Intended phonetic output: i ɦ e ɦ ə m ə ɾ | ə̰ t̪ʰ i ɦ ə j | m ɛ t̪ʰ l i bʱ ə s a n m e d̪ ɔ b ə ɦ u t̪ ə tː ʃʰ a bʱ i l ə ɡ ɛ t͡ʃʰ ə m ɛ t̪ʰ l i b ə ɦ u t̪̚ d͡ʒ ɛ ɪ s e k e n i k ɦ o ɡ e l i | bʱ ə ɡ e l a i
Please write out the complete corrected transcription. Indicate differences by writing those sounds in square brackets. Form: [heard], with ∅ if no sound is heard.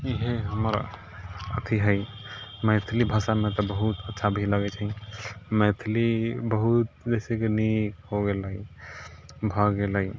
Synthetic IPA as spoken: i ɦ e ɦ ə m ə ɾ | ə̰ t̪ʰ i ɦ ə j | m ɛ t̪ʰ l i bʱ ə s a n m e [t̪] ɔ b ə ɦ u t̪ ə tː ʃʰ a bʱ i l ə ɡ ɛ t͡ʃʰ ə m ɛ t̪ʰ l i b ə ɦ u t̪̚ d͡ʒ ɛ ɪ s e k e n i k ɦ o ɡ e l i | bʱ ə ɡ e l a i